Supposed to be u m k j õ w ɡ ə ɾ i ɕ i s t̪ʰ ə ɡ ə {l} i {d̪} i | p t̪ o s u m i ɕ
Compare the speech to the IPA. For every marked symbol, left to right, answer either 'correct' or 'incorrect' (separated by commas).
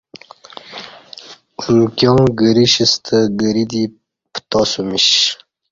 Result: incorrect, correct